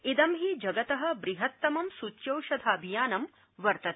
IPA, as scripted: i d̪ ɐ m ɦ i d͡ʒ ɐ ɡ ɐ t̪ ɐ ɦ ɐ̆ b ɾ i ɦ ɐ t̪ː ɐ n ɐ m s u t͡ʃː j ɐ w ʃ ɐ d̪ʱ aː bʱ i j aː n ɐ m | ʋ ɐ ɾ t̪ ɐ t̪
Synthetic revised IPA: i d̪ ɐ m ɦ i d͡ʒ ɐ ɡ ɐ t̪ ɐ ɦ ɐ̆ b ɾ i ɦ ɐ t̪ː ɐ m ɐ m s u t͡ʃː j ɐ w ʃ ɐ d̪ʱ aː bʱ i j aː n ɐ m | ʋ ɐ ɾ t̪ ɐ t̪